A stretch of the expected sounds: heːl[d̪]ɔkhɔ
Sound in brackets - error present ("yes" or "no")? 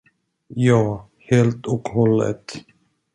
yes